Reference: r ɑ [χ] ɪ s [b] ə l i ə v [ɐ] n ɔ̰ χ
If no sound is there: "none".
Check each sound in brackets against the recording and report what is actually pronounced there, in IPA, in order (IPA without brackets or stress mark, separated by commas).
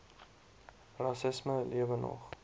s, m, ə